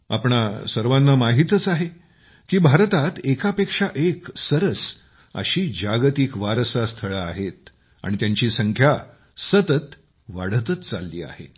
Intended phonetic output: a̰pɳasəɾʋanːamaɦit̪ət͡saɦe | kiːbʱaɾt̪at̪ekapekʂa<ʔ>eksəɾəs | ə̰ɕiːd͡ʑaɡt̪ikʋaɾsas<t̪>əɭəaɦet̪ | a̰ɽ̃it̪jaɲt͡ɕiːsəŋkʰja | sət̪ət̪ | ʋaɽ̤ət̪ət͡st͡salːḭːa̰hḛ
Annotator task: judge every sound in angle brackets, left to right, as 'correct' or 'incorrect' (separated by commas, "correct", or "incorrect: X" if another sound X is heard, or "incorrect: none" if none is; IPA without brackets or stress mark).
correct, incorrect: t̪ʰ